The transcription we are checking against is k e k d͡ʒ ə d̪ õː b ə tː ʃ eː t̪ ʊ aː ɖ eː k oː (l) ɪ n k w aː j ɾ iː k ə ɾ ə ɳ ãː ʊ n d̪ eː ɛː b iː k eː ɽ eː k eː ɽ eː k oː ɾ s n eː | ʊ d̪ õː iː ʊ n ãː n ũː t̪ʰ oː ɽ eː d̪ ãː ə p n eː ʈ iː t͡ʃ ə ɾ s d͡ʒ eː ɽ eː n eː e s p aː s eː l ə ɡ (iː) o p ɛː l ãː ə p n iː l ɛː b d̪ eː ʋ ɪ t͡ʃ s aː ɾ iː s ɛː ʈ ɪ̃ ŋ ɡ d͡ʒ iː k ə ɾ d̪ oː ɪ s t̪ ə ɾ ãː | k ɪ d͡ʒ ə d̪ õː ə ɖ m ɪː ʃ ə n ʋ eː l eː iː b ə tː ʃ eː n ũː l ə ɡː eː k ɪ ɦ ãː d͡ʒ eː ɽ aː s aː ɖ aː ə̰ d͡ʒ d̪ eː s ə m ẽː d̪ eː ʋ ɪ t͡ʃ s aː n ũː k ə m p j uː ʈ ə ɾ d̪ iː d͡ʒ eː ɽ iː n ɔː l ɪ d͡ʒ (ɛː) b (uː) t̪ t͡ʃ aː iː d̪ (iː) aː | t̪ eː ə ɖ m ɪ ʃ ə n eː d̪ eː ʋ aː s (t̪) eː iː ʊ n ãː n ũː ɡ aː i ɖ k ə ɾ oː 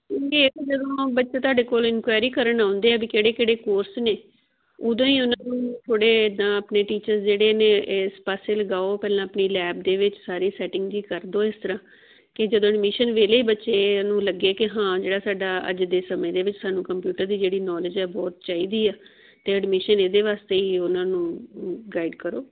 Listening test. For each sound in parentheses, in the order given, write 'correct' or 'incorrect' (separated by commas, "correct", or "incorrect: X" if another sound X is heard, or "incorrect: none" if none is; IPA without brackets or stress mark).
correct, incorrect: aː, correct, incorrect: ɔː, correct, correct